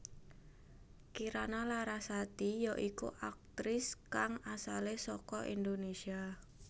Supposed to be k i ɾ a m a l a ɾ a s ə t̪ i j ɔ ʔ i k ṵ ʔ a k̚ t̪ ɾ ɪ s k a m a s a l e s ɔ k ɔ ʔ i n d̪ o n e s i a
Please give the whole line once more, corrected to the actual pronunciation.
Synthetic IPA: k i ɾ a n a l a ɾ a s a t̪ i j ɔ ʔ i k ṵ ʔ a k̚ t̪ ɾ ɪ s k a ŋ a s a l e s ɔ k ɔ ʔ i n d̪ o n e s i a